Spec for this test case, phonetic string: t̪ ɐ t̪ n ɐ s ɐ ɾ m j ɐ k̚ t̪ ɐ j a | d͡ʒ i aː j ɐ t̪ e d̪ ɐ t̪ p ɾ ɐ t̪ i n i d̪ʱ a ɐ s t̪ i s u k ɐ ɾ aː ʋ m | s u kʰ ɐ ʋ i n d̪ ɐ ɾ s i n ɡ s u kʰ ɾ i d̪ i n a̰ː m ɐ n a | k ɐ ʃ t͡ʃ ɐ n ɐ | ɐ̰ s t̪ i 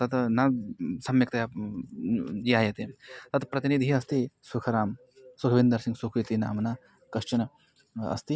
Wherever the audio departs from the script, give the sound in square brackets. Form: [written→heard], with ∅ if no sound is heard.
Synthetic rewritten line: t̪ ɐ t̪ n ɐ s ɐ [ɾ→∅] m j ɐ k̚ t̪ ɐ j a | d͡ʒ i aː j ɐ t̪ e [d̪→t̪] ɐ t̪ p ɾ ɐ t̪ i n i d̪ʱ [a→i] ɐ s t̪ i s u [k→kʰ] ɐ ɾ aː [ʋ→∅] m | s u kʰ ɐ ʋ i n d̪ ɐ ɾ s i [n→ŋ] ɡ s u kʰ ɾ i [d̪→t̪] i n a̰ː m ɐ n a | k ɐ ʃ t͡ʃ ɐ n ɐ | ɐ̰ s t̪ i